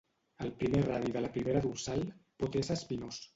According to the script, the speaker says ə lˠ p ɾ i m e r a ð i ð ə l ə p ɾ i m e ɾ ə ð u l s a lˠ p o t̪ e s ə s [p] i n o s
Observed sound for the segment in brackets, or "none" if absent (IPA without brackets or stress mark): p